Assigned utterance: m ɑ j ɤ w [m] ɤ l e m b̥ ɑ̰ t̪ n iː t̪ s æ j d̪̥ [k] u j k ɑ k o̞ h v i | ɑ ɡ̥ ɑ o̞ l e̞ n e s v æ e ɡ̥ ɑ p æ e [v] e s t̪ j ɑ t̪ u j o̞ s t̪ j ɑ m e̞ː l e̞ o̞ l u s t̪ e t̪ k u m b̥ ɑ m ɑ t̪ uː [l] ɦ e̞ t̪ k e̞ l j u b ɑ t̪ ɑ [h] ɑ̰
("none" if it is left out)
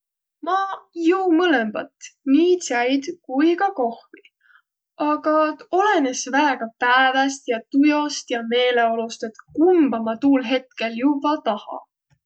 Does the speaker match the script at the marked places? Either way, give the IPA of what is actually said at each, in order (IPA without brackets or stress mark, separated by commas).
m, k, v, l, h